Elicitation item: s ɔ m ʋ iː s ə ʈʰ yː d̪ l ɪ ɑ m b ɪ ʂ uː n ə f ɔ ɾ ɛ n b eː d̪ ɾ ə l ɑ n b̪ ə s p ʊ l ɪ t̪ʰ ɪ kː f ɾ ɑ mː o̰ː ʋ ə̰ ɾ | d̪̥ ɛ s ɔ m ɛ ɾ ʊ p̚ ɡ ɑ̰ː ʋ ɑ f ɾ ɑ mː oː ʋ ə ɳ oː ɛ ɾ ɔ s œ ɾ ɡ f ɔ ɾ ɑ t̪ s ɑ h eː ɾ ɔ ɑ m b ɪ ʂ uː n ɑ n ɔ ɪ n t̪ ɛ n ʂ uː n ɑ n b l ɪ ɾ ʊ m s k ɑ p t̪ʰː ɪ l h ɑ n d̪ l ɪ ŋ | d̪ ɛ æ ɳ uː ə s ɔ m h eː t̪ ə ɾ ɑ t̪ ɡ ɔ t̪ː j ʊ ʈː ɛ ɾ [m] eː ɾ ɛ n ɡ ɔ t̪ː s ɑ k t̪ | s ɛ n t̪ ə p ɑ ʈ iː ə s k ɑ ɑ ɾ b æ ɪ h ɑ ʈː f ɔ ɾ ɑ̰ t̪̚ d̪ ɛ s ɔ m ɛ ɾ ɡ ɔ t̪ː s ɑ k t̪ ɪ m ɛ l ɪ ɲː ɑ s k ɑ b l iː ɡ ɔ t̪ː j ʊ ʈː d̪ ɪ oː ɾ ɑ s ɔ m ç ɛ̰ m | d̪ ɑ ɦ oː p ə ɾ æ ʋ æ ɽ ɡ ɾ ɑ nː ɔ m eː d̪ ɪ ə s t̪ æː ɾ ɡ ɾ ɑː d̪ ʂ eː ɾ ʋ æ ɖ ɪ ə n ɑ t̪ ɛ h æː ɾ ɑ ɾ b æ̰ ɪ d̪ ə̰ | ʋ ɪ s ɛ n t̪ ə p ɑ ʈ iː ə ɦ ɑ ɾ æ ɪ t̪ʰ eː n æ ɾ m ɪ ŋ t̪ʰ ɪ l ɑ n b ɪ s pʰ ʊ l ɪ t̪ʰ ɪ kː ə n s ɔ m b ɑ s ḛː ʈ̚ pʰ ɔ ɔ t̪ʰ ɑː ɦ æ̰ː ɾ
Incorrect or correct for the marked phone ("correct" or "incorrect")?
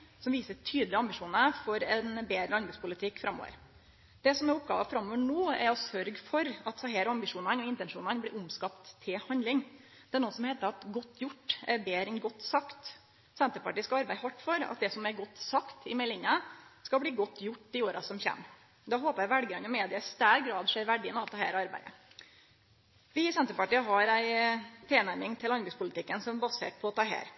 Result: incorrect